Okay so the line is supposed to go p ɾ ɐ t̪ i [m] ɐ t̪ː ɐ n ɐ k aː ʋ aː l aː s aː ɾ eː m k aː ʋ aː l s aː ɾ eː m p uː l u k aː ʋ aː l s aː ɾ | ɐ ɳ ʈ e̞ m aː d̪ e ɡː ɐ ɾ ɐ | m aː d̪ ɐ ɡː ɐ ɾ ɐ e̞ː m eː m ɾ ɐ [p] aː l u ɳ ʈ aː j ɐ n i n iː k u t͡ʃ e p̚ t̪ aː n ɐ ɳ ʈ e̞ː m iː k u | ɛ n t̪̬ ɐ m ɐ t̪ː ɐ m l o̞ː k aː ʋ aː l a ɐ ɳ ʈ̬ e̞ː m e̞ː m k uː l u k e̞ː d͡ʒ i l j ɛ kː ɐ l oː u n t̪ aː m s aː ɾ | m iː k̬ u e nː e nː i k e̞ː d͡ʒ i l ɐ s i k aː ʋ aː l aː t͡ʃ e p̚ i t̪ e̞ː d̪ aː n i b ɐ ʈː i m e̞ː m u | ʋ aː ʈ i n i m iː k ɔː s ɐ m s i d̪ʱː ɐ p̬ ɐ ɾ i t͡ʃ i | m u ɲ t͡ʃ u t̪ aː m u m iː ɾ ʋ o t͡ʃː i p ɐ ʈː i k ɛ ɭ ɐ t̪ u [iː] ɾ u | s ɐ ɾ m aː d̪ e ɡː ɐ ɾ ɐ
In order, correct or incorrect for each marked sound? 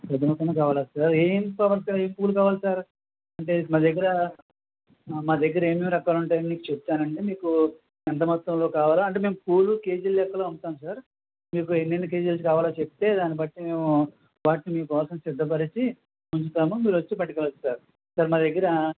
correct, incorrect: k, incorrect: aː

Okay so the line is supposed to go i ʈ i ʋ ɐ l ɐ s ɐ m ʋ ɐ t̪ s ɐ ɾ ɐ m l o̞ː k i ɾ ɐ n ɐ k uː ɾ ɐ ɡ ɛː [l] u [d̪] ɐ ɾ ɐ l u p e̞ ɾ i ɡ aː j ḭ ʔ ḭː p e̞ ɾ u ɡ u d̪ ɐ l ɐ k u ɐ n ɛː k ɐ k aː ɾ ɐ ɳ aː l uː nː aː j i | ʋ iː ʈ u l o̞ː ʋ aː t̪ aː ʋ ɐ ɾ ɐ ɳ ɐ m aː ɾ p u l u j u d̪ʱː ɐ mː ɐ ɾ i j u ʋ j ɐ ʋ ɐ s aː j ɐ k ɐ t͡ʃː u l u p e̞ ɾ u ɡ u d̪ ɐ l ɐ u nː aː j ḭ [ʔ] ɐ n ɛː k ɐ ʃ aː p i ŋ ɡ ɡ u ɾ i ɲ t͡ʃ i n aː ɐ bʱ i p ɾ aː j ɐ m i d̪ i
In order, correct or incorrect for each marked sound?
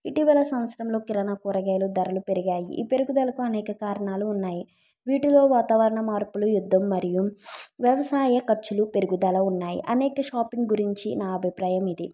correct, correct, correct

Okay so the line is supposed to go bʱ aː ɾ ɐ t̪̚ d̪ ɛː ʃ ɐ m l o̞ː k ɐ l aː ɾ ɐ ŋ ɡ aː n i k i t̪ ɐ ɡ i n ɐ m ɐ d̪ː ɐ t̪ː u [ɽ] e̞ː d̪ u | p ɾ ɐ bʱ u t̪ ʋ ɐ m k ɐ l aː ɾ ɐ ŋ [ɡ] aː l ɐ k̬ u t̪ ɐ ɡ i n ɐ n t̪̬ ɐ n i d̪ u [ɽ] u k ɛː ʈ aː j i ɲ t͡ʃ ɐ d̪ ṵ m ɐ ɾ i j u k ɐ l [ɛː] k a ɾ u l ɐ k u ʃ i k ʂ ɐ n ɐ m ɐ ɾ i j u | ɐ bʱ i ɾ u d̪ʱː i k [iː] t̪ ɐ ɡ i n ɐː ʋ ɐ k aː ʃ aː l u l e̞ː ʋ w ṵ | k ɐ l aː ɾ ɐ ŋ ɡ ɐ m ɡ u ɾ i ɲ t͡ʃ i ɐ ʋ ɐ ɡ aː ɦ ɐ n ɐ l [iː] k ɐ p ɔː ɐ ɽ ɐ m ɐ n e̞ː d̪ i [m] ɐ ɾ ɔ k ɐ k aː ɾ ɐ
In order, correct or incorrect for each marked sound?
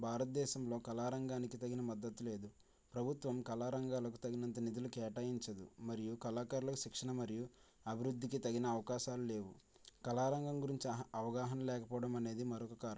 incorrect: l, correct, incorrect: l, incorrect: aː, incorrect: i, incorrect: ɛː, correct

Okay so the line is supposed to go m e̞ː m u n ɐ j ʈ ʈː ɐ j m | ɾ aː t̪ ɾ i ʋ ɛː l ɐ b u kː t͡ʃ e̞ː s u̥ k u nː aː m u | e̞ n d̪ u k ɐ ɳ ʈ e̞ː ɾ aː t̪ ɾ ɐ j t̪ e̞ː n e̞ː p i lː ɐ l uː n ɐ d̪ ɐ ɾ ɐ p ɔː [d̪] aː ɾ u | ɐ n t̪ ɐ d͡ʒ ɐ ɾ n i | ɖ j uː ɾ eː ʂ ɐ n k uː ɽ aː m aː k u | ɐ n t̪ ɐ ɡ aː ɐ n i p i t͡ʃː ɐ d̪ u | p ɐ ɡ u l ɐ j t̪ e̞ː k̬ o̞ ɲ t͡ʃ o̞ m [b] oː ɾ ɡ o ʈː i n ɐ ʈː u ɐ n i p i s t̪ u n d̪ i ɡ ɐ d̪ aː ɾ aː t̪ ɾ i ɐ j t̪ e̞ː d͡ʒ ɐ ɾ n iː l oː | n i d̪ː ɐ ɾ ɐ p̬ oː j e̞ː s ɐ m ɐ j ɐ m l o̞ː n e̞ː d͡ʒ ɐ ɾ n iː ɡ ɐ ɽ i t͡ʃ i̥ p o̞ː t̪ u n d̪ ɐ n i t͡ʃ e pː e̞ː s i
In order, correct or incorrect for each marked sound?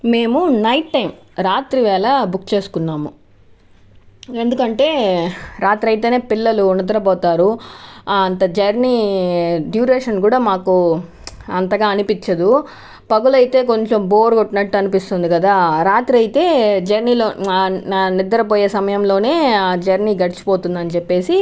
incorrect: t̪, correct

